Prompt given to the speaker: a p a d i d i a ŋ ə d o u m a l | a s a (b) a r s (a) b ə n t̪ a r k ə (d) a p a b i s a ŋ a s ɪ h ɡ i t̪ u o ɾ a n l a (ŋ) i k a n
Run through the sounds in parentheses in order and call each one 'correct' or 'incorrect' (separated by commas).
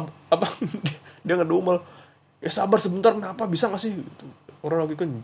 correct, incorrect, incorrect, incorrect